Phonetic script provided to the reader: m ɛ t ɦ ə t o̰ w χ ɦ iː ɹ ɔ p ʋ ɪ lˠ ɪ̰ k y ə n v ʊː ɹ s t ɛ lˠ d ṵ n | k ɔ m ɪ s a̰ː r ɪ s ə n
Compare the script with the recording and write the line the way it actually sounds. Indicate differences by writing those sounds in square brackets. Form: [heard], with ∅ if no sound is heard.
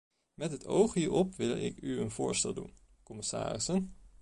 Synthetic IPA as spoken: m ɛ t ɦ ə t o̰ w χ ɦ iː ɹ ɔ p ʋ ɪ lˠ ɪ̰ k y ə n v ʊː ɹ s t ɛ lˠ d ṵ n | k ɔ m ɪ s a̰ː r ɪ s ə n